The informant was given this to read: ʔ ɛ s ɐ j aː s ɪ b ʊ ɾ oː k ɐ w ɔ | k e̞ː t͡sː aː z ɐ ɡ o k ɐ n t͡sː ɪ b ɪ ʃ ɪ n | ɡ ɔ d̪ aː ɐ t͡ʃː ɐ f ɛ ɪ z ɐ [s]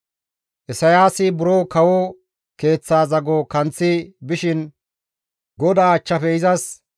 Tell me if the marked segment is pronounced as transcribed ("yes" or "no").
yes